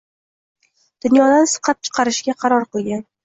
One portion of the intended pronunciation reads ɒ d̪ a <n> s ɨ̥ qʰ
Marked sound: correct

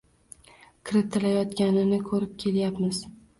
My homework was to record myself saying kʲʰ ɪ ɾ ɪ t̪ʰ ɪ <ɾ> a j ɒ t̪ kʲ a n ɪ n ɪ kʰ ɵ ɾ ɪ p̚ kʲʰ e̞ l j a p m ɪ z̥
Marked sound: incorrect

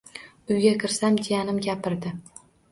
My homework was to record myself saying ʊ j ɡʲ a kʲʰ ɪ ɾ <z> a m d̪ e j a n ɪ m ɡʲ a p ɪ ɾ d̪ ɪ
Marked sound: incorrect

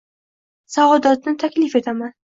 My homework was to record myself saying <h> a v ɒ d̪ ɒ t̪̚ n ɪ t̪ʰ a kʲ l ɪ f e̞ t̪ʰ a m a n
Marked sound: incorrect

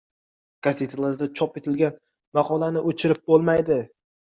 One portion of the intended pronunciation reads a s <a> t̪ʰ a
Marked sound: incorrect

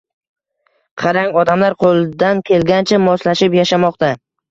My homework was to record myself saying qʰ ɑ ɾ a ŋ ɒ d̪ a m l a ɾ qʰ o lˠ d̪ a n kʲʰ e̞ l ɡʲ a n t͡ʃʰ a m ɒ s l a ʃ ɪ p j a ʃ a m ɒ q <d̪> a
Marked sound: incorrect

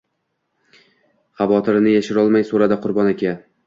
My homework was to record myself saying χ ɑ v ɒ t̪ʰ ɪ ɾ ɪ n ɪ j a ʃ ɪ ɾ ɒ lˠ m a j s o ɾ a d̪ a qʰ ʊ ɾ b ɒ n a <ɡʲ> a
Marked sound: incorrect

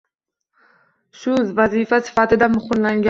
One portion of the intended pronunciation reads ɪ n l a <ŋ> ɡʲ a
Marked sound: correct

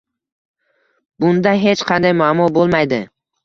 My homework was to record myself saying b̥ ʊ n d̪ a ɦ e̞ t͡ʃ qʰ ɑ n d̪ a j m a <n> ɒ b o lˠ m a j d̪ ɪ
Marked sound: incorrect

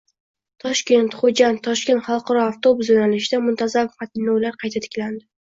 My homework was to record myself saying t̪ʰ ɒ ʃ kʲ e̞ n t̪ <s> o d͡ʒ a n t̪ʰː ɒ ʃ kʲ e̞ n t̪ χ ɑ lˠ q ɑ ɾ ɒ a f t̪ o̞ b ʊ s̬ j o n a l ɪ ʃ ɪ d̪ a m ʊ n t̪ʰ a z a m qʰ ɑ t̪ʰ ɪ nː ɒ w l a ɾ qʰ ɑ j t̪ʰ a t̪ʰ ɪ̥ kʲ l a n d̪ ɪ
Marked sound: incorrect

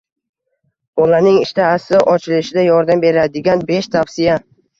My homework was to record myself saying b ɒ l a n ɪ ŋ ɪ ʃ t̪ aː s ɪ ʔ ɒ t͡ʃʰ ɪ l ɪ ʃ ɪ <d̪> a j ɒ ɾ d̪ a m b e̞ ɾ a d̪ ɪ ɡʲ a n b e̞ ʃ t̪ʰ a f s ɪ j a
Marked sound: correct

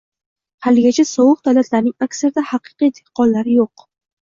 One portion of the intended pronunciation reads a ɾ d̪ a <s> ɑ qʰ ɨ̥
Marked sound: incorrect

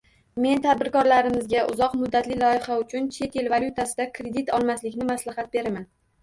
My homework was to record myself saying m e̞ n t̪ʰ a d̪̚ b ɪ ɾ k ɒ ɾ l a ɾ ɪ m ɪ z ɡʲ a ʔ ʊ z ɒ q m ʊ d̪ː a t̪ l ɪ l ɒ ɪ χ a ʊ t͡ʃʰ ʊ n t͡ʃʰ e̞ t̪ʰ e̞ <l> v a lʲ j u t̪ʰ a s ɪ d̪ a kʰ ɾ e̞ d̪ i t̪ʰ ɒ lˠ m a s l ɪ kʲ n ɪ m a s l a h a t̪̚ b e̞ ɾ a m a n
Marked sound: correct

